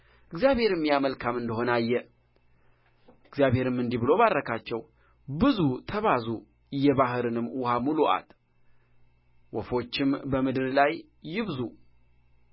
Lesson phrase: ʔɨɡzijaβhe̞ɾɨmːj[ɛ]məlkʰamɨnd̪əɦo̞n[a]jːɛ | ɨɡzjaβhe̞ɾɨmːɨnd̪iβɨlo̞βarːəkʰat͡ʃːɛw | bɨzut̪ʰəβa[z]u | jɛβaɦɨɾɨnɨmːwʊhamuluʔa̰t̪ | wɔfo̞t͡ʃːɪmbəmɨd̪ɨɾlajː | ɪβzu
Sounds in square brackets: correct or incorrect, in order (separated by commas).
incorrect, correct, correct